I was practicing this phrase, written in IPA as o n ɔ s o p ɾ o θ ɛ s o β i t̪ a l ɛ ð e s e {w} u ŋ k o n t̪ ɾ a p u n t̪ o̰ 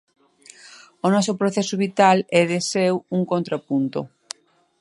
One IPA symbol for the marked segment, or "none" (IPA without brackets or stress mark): w